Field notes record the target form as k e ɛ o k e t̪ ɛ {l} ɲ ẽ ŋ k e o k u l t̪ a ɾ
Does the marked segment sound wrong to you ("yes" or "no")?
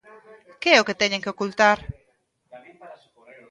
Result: yes